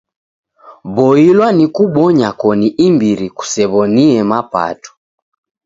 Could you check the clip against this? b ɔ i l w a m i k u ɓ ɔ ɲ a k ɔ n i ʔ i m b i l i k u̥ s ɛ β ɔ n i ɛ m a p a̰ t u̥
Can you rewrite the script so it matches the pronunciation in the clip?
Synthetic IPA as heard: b ɔ i l w a n i k u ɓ ɔ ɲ a k ɔ n i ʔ i m b i ɾ i k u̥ s ɛ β ɔ n i ɛ m a p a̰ t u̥